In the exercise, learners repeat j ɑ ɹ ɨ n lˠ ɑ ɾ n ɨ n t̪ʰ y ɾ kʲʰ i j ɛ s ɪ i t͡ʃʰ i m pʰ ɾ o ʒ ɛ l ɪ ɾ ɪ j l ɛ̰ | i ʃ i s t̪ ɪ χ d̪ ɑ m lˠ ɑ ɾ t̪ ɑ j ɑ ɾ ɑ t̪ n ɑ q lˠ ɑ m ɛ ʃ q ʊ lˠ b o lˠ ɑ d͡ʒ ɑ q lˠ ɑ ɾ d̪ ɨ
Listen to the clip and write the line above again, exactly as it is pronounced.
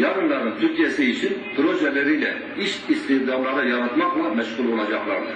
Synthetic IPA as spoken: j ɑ ɾ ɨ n lˠ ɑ ɾ n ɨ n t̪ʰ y ɾ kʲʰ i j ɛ s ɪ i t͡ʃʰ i n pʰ ɾ o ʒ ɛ l ɪ ɾ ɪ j l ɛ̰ | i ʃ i s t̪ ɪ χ d̪ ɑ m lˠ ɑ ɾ d̪ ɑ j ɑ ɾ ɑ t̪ m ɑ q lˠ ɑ m ɛ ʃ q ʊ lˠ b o lˠ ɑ d͡ʒ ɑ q lˠ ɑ ɾ d̪ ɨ